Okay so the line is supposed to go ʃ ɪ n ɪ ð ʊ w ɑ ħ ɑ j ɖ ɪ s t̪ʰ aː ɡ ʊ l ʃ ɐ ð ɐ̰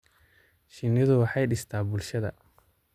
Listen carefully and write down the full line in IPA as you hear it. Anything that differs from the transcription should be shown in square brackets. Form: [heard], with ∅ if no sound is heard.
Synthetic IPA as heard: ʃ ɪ n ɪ ð ʊ w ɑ ħ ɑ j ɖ ɪ s t̪ʰ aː [b] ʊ l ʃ ɐ ð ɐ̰